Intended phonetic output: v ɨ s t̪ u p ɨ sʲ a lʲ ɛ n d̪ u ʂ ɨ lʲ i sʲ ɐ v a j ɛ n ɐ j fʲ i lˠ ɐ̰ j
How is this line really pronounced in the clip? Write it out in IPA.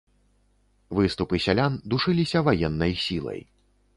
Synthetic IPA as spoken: v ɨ s t̪ u p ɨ sʲ a lʲ a n d̪ u ʂ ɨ lʲ i sʲ ɐ v a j ɛ nː ɐ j sʲ i lˠ ɐ̰ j